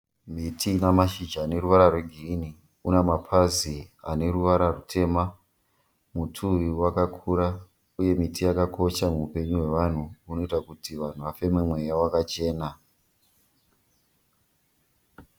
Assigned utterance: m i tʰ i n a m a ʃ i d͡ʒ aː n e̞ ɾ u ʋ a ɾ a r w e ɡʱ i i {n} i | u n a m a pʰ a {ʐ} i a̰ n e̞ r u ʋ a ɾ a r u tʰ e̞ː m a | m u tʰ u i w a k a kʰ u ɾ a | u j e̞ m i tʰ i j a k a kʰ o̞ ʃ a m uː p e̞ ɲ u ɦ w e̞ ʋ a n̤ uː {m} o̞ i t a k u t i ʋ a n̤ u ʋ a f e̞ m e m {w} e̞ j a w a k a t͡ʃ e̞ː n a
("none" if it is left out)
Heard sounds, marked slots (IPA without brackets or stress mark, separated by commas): n, z, n, w